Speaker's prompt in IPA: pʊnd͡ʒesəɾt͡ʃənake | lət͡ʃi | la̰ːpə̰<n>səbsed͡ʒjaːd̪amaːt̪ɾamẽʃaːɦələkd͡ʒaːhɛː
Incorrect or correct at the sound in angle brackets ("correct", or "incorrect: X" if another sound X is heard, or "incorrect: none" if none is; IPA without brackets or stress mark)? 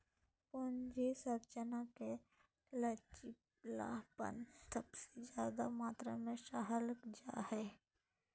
correct